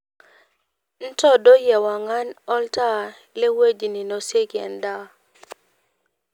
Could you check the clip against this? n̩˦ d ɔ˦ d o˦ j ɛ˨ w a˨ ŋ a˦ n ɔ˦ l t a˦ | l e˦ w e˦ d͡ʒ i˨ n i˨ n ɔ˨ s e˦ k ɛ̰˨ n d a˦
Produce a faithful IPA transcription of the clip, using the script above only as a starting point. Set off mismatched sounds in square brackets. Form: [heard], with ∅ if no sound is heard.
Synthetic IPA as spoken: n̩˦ [t] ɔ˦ d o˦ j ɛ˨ w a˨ ŋ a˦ n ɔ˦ l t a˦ | l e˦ w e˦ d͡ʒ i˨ n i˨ n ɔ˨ s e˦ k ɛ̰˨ n d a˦